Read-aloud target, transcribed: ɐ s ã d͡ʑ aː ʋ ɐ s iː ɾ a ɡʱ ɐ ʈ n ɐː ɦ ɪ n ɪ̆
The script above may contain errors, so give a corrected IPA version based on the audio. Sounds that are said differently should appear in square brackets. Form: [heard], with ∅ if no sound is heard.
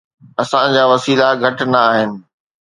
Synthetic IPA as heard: ɐ s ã d͡ʑ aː ʋ ɐ s iː [l] a ɡʱ ɐ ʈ n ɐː ɦ ɪ n ɪ̆